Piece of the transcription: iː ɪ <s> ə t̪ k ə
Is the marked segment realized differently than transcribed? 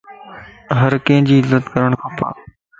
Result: yes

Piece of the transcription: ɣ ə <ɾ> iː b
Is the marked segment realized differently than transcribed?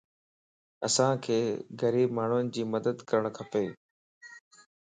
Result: no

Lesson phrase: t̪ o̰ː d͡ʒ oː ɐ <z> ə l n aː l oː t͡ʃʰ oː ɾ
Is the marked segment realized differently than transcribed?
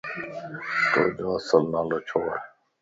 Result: yes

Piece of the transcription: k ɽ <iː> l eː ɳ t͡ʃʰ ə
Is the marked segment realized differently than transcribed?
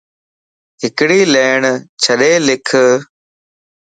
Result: no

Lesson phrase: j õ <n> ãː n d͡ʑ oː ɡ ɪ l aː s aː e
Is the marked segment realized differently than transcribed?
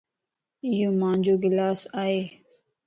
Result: yes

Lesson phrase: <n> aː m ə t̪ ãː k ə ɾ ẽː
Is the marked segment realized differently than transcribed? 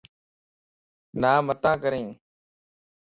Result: no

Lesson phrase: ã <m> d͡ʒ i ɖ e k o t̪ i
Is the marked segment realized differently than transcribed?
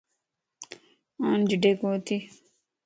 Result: yes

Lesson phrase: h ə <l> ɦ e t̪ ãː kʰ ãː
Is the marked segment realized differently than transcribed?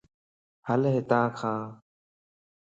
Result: no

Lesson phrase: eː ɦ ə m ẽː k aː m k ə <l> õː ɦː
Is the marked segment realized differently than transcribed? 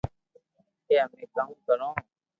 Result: yes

